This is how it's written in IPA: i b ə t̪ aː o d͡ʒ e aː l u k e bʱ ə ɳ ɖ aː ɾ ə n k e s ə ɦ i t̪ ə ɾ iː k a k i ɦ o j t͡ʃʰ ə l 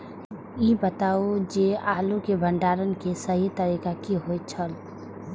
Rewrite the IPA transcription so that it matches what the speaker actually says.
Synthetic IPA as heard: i b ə t̪ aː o d͡ʒ e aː l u k e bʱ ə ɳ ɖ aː ɾ ə n k e s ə ɦ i t̪ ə ɾ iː k a k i ɦ o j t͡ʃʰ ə l